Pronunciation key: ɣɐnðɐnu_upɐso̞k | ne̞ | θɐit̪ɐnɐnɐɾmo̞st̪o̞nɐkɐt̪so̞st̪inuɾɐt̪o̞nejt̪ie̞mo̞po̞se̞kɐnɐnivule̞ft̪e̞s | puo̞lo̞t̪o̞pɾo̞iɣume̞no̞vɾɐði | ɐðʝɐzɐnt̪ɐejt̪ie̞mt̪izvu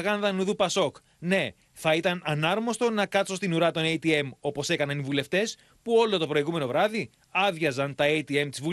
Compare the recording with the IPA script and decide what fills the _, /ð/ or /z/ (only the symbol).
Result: ð